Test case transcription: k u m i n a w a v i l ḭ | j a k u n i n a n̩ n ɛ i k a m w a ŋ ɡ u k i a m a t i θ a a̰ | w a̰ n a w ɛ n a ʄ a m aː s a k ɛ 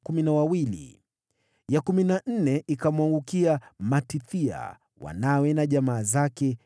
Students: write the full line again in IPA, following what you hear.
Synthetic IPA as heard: k u m i n a w a w i l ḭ | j a k u m i n a n̩ n ɛ i k a m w a ŋ ɡ u k i a m a t i θ i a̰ | w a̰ n a w ɛ n a ʄ a m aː z a k ɛ